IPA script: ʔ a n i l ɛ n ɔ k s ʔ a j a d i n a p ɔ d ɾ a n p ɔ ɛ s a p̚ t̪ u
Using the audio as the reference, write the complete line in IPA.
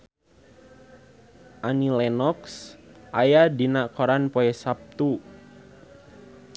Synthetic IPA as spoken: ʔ a n i l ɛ n ɔ k s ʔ a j a d i n a k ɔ ɾ a n p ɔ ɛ s a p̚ t̪ u